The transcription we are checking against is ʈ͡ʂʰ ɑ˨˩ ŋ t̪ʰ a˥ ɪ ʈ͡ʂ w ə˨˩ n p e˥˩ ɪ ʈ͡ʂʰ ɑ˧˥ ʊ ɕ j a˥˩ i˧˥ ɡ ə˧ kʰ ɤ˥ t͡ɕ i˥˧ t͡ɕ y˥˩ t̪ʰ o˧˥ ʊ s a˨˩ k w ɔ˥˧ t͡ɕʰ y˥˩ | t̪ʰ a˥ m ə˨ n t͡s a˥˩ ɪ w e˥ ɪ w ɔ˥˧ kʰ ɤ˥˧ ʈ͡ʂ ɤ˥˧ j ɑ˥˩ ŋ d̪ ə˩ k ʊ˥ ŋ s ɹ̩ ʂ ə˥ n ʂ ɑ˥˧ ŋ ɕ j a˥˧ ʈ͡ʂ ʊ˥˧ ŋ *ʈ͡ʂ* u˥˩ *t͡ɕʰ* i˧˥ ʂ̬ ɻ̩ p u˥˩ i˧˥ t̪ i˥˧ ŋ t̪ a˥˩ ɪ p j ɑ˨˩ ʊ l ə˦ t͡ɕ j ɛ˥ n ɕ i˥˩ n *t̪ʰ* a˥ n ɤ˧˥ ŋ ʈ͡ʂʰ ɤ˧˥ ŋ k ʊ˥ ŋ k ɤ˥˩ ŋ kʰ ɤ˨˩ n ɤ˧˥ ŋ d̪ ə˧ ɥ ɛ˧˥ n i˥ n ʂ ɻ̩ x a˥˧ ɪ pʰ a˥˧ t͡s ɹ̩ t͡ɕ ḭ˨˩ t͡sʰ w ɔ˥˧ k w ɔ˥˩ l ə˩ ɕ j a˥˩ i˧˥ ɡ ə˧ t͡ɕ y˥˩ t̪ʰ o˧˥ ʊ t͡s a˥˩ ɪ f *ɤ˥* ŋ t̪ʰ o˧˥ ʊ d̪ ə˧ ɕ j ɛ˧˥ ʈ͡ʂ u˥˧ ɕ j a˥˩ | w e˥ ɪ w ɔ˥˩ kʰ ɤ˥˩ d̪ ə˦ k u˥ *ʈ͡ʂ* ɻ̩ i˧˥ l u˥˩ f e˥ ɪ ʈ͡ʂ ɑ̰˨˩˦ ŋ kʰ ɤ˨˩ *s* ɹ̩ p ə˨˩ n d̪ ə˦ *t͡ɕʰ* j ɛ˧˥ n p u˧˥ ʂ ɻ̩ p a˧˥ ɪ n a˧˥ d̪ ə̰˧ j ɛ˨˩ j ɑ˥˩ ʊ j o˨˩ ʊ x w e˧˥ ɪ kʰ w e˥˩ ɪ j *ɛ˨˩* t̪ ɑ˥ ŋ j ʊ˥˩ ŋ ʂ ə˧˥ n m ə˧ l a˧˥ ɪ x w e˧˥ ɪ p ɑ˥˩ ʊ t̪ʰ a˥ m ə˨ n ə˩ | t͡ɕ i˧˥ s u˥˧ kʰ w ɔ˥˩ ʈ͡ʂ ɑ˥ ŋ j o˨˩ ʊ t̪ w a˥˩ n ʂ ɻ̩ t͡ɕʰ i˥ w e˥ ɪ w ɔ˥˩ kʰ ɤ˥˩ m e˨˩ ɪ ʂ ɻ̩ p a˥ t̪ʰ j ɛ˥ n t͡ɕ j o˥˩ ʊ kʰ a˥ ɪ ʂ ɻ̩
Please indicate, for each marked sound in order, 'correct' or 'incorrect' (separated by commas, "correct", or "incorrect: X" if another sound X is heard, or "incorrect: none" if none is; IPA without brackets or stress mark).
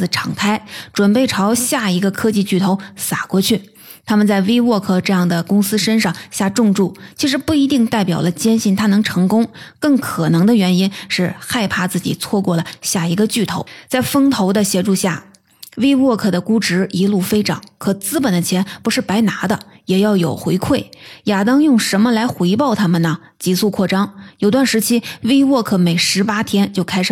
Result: correct, correct, correct, correct, correct, incorrect: t͡s, correct, incorrect: a˨˩